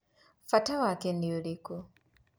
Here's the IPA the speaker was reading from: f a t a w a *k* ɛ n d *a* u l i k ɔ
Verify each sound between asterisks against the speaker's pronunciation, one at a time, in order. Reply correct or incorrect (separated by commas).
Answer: correct, incorrect